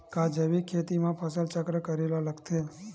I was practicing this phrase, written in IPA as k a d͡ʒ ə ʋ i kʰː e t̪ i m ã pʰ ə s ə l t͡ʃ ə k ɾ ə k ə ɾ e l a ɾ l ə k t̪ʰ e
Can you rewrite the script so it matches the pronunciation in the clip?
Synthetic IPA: k a d͡ʒ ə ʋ i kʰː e t̪ i m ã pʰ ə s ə l t͡ʃ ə k ɾ ə k ə ɾ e l a l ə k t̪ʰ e